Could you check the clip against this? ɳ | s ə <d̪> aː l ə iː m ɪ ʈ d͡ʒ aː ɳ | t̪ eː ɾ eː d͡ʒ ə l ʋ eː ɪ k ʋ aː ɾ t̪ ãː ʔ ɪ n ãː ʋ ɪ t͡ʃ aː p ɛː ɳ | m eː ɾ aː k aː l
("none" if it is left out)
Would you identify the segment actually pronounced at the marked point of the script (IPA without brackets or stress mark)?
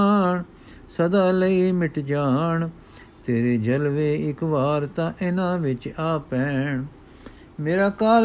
d̪